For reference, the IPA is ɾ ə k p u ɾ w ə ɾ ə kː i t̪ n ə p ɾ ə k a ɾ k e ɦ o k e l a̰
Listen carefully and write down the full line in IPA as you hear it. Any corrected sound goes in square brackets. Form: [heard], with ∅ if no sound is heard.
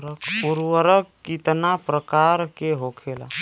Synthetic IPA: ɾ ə k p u ɾ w ə ɾ ə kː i t̪ n [a] p ɾ ə k a ɾ k e ɦ o [kʰ] e l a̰